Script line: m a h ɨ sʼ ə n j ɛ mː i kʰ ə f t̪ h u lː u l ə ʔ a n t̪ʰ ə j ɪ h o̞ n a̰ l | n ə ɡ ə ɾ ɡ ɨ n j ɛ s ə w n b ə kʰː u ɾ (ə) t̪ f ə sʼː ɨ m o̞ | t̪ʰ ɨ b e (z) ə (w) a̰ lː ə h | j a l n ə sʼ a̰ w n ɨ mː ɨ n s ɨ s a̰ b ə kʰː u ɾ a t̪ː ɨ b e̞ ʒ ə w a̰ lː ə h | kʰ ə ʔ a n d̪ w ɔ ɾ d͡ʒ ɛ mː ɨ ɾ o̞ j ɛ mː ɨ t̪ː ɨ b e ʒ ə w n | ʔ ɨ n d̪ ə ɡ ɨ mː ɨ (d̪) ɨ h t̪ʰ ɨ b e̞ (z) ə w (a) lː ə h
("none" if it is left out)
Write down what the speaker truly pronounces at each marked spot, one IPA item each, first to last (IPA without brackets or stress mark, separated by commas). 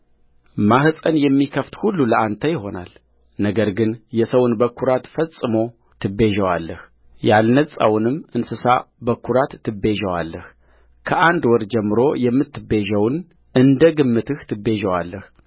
a, ʒ, w, t̪, ʒ, a